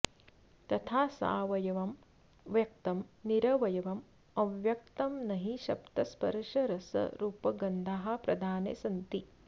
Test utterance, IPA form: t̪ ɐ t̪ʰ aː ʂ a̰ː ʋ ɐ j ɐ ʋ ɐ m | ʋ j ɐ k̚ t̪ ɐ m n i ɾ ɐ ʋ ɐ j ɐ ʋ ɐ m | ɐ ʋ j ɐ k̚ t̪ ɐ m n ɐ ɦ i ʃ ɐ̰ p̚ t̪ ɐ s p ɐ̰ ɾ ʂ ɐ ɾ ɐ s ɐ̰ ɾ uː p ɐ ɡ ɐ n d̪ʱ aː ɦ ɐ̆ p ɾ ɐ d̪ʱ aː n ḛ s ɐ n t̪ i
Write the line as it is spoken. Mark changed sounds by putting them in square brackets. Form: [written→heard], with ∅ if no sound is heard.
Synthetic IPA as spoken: t̪ ɐ t̪ʰ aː [ʂ→s] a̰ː ʋ ɐ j ɐ ʋ ɐ m | ʋ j ɐ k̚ t̪ ɐ m n i ɾ ɐ ʋ ɐ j ɐ ʋ ɐ m | ɐ ʋ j ɐ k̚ t̪ ɐ m n ɐ ɦ i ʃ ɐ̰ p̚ t̪ ɐ s p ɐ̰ ɾ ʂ ɐ ɾ ɐ s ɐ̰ ɾ uː p ɐ ɡ ɐ n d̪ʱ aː ɦ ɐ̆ p ɾ ɐ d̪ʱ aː n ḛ s ɐ n t̪ i